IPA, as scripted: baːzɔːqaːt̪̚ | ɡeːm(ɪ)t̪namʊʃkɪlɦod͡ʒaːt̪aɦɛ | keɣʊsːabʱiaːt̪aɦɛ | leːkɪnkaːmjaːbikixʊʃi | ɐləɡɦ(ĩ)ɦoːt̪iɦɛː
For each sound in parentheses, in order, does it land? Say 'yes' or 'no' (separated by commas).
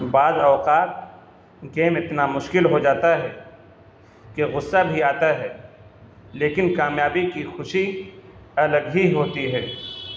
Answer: yes, no